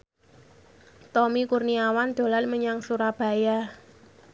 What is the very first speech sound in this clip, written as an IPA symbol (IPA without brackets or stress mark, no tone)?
t̪